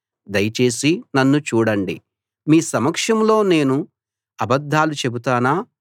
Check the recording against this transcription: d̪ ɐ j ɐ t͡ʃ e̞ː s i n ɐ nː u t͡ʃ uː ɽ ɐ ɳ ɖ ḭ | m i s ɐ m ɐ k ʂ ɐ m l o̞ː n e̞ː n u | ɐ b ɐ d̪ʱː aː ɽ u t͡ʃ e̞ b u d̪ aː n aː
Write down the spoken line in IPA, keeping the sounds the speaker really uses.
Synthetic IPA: d̪ ɐ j ɐ t͡ʃ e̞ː s i n ɐ nː u t͡ʃ uː ɽ ɐ ɳ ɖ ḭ | m iː s ɐ m ɐ k ʂ ɐ m l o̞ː n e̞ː n u | ɐ b ɐ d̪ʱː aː l u t͡ʃ e̞ b u t̪ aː n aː

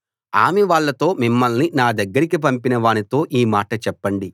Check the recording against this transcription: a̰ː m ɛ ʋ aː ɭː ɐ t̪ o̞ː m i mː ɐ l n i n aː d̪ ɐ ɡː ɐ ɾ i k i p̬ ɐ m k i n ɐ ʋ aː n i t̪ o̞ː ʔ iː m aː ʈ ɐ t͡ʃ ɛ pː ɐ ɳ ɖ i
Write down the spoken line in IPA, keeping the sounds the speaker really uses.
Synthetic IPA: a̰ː m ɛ ʋ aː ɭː ɐ t̪ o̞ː m i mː ɐ l n i n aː d̪ ɐ ɡː ɐ ɾ i k i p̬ ɐ m p i n ɐ ʋ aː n i t̪ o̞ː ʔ iː m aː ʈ ɐ t͡ʃ ɛ pː ɐ ɳ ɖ i

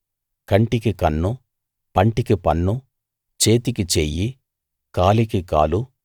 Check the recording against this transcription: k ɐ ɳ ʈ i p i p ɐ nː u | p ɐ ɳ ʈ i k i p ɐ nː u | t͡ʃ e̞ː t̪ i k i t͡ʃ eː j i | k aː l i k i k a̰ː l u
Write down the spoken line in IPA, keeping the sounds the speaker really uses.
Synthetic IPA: k ɐ ɳ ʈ i k i k ɐ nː u | p ɐ ɳ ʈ i k i p ɐ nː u | t͡ʃ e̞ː t̪ i k i t͡ʃ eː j i | k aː l i k i k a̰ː l u

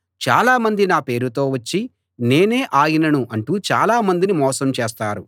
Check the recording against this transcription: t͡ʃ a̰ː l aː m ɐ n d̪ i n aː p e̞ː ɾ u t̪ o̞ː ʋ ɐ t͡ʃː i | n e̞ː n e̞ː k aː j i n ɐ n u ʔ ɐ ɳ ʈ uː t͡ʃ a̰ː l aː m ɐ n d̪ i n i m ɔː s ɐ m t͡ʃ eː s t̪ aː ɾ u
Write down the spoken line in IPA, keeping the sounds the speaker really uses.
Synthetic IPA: t͡ʃ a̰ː l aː m ɐ n d̪ i n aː p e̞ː ɾ u t̪ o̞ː ʋ ɐ t͡ʃː i | n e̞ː n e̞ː ʔ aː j i n ɐ n u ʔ ɐ ɳ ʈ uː t͡ʃ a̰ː l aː m ɐ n d̪ i n i m ɔː s ɐ m t͡ʃ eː s t̪ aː ɾ u

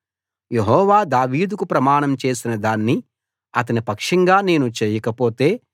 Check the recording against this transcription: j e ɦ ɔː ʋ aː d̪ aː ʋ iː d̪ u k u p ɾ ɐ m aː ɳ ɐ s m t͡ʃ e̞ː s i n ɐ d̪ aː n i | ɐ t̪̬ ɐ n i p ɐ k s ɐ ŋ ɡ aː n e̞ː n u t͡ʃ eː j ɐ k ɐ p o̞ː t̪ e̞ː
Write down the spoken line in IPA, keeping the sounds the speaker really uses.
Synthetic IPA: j e ɦ ɔː ʋ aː d̪ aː ʋ iː d̪ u k u p ɾ ɐ m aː ɳ ɐ m t͡ʃ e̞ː s i n ɐ d̪ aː nː i | ɐ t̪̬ ɐ n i p ɐ k ʂ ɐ ŋ ɡ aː n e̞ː n u t͡ʃ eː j ɐ k ɐ p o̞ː t̪ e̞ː

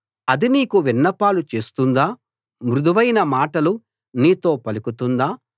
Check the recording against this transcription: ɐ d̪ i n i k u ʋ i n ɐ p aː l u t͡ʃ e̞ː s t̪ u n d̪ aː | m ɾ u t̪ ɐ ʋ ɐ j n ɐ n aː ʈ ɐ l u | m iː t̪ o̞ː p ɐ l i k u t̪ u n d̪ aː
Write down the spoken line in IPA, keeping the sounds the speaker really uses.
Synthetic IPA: ɐ d̪ i n iː k u ʋ i nː ɐ p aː l u t͡ʃ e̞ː s t̪ u n d̪ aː | m ɾ u d̪ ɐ ʋ ɐ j n ɐ m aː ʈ ɐ l u | n iː t̪ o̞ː p ɐ l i k u t̪ u n d̪ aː

